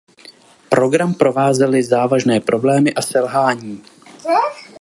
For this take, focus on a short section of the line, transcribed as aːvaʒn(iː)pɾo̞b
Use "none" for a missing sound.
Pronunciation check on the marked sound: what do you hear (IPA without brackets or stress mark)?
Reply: ɛː